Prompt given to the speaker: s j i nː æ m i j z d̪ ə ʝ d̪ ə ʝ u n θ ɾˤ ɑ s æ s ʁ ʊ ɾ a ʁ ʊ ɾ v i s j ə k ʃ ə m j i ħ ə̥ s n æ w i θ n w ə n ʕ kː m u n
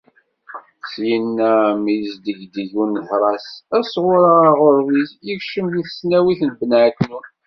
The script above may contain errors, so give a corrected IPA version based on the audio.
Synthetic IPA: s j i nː æ m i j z d̪ ə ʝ d̪ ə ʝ u n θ ɾˤ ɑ s æ s ʁ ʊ ɾ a ʁ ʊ ɾ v i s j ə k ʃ ə m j i θ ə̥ s n æ w i θ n b ə n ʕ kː n u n